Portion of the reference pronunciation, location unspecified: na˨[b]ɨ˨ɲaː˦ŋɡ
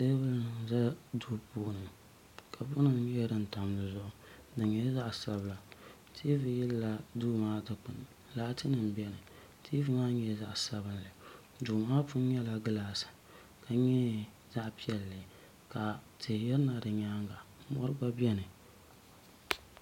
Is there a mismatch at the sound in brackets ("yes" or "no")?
yes